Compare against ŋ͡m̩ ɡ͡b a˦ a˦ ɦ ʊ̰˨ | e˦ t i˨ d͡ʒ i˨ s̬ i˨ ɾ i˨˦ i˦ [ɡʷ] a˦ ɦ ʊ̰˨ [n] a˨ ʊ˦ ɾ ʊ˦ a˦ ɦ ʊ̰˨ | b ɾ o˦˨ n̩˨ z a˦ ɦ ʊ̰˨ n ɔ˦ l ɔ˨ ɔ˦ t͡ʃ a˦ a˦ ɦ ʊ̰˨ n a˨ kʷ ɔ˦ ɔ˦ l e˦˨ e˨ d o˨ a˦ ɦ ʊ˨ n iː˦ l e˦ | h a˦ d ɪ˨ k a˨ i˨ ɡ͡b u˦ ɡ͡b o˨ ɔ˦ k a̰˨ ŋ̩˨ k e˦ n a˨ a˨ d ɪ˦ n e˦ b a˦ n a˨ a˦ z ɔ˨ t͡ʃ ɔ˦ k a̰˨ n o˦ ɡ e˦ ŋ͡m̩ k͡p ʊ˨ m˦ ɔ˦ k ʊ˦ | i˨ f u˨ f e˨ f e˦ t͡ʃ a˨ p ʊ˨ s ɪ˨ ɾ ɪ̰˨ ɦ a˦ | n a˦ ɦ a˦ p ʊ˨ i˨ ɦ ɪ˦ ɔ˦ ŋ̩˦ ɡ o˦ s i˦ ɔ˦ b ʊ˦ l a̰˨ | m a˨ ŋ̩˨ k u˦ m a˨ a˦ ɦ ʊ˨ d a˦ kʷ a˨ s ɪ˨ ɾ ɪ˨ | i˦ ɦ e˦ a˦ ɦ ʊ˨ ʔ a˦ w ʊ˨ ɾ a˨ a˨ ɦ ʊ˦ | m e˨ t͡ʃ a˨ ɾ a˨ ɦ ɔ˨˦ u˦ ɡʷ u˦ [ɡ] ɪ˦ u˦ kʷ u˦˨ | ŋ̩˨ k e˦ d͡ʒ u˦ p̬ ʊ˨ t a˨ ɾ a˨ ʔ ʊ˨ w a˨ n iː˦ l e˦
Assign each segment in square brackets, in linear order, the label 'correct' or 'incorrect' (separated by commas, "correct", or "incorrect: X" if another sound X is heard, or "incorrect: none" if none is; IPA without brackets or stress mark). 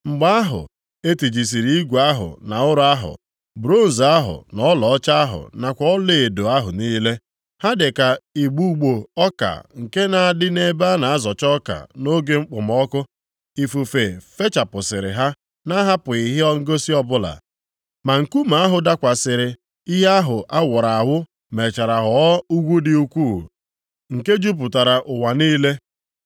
correct, correct, incorrect: d